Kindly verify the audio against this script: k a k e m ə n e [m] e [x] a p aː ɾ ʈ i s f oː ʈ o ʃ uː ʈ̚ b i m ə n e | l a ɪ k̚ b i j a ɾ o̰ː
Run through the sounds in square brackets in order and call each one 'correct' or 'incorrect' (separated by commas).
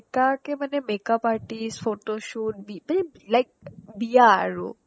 correct, incorrect